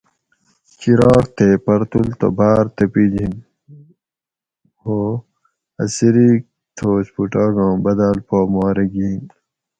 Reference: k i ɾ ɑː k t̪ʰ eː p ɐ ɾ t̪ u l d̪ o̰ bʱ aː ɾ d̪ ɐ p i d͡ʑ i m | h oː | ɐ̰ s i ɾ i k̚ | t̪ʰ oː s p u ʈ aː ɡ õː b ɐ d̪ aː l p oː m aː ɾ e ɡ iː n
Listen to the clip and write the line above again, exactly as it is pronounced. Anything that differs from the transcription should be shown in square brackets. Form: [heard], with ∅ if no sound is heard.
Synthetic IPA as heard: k i ɾ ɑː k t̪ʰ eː p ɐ ɾ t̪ u l [t̪] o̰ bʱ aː ɾ [t̪] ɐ p i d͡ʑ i [n] | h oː | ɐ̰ s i ɾ i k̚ | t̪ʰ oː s p u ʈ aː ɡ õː b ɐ d̪ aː l p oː m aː ɾ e ɡ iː n